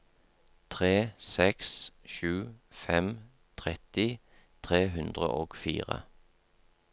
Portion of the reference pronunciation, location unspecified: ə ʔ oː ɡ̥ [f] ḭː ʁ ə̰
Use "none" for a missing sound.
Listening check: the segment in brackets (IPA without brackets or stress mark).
f